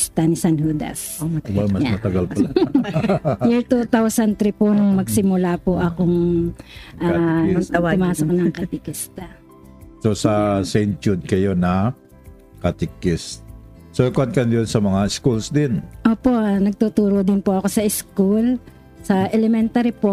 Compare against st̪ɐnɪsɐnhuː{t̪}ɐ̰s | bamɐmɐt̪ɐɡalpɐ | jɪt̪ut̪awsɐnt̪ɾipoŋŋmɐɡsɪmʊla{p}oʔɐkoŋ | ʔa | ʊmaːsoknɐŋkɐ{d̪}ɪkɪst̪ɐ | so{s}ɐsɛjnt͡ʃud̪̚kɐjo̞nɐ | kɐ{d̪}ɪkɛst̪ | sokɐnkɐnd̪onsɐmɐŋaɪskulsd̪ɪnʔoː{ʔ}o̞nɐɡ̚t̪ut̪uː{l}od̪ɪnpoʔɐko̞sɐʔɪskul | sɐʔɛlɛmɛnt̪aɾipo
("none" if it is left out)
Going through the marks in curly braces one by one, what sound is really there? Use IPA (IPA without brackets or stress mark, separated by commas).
d̪, p, t̪, s, t̪, p, ɾ